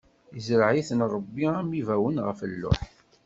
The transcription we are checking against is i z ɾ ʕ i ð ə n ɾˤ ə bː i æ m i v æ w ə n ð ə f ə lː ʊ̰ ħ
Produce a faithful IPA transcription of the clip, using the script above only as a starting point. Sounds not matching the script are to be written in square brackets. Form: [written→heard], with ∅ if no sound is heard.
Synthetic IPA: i z ɾ ʕ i [ð→θ] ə n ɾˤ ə bː i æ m i v æ w ə n [ð→ʁ] ə f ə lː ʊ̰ ħ

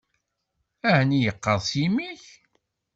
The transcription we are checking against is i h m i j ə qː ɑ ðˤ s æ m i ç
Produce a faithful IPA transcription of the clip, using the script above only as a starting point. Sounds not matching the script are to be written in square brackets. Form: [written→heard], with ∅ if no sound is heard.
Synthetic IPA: [i→æ] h [m→n] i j ə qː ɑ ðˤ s [æ→i] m i ç

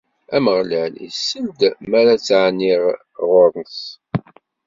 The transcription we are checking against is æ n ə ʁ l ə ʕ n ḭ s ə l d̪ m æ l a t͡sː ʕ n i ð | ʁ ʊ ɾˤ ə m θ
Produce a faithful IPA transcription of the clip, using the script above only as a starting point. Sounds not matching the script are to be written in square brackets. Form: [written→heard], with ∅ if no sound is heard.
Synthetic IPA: æ [n→m] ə ʁ l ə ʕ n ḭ s ə l d̪ m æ [l→ɾ] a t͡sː ʕ n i [ð→ʁ] | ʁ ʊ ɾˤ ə [m→n] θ

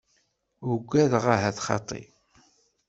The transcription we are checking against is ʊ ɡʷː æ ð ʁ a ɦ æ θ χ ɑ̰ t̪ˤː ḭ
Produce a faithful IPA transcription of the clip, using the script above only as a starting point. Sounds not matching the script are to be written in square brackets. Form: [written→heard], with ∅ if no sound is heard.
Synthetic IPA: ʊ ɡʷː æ ð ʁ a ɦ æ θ χ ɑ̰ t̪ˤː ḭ

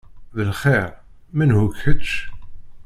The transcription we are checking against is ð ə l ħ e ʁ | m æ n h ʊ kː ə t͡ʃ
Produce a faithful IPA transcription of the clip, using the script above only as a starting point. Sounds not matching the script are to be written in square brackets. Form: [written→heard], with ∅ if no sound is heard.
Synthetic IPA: ð ə l [ħ→χ] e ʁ | m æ n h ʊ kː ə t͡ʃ

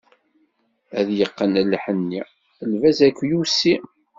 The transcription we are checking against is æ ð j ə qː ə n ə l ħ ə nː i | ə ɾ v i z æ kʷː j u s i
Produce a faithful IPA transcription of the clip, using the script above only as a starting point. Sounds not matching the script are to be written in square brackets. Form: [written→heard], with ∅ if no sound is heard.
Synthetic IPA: æ ð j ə qː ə n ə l ħ ə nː i | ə [ɾ→l] v [i→æ] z æ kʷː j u s i

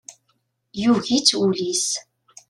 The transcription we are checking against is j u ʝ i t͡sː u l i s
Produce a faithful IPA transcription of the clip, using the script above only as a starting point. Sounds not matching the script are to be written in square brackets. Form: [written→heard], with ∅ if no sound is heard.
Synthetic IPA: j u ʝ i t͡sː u l i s

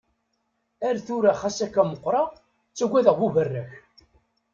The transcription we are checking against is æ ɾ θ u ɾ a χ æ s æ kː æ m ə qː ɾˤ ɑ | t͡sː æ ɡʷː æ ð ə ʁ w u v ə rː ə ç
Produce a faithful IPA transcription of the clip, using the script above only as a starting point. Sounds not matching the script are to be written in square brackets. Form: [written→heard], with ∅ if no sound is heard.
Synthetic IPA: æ ɾ θ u ɾ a χ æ s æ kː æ m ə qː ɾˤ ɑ | t͡sː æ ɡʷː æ ð ə ʁ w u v ə rː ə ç

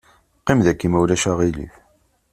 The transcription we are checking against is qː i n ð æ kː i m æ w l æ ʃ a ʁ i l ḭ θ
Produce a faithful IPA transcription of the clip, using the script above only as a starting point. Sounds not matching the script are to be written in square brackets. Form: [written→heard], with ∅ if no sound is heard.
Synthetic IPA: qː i [n→m] ð æ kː i m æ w l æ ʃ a ʁ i l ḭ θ

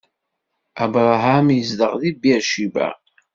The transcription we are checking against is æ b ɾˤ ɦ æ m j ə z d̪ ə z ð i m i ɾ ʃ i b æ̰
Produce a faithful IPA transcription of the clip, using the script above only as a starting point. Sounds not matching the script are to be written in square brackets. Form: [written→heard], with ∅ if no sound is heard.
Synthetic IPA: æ b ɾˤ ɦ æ m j ə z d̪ ə [z→ʁ] ð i [m→b] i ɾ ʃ i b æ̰

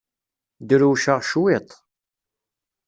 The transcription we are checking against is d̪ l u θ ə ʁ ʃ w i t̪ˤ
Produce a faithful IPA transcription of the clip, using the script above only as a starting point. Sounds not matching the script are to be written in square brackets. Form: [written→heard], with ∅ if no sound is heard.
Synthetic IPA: d̪ [l→ɾ] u [θ→ʃ] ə ʁ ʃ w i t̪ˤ

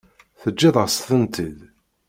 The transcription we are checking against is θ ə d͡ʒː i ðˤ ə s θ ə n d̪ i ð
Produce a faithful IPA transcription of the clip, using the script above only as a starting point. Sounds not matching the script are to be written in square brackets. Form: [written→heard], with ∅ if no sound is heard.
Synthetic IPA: θ ə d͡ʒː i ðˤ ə s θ ə n [d̪→t̪] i ð

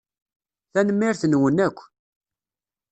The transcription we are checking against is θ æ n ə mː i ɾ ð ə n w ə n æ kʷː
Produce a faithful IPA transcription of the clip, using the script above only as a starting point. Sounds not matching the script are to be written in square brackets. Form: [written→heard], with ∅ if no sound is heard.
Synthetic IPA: θ æ n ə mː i ɾ [ð→θ] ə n w ə n æ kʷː

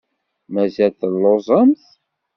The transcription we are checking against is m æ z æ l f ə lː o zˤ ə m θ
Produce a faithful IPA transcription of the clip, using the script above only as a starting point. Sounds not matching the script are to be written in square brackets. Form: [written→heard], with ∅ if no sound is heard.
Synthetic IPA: m æ z æ l [f→θ] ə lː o zˤ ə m θ

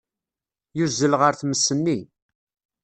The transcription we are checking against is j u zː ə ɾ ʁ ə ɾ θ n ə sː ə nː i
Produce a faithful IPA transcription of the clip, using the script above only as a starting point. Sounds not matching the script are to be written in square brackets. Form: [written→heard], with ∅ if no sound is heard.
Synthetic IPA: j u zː ə [ɾ→l] ʁ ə ɾ θ [n→m] ə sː ə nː i

